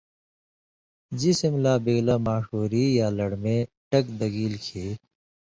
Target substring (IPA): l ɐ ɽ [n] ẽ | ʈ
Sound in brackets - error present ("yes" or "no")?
yes